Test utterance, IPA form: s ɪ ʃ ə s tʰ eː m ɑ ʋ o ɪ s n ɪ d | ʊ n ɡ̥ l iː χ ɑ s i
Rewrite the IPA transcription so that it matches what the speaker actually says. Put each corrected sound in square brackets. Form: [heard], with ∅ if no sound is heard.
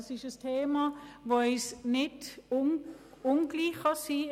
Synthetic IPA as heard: s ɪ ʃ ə s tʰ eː m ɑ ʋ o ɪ s n ɪ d | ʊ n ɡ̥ l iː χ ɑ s i